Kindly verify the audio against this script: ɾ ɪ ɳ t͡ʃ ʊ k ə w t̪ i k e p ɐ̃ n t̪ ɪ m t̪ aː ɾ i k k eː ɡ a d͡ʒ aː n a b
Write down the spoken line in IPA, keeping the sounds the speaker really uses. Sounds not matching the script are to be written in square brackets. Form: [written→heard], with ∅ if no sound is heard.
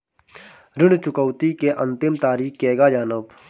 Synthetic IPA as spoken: ɾ ɪ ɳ t͡ʃ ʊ k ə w t̪ i k e [p→ʔ] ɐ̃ n t̪ ɪ m t̪ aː ɾ [i→iː] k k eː ɡ a d͡ʒ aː n [a→ə] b

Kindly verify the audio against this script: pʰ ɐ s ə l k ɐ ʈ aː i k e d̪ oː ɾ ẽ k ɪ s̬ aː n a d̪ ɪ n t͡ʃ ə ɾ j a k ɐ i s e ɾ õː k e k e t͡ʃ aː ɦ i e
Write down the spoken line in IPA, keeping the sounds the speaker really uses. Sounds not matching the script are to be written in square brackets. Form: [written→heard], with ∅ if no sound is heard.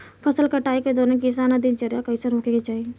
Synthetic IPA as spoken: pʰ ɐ s ə l k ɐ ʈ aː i k e d̪ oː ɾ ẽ k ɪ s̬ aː n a d̪ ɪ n t͡ʃ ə ɾ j a k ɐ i s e ɾ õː k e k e t͡ʃ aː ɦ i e

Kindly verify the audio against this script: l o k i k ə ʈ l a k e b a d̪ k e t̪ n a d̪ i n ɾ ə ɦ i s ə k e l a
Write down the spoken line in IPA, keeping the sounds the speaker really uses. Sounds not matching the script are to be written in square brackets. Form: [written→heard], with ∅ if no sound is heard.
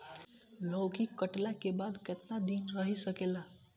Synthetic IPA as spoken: l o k i k ə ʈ l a k e b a d̪ k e t̪ n a d̪ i n ɾ ə ɦ i s ə k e l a

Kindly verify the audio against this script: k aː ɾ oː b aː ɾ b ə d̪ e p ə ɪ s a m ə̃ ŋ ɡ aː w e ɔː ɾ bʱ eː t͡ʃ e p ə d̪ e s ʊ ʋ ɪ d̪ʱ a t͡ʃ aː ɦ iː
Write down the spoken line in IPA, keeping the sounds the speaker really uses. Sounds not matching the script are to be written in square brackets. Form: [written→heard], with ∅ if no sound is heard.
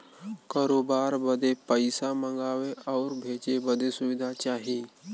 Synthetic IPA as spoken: k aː ɾ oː b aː ɾ b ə d̪ e p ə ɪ s a m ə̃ ŋ ɡ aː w e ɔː ɾ bʱ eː t͡ʃ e [p→b] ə d̪ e s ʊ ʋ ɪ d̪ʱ a t͡ʃ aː ɦ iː

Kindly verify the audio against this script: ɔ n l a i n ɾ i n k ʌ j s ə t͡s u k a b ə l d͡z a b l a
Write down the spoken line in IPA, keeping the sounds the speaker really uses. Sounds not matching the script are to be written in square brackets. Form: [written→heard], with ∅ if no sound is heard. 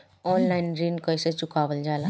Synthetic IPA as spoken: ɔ n l a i n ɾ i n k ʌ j s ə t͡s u k a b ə l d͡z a [b→∅] l a

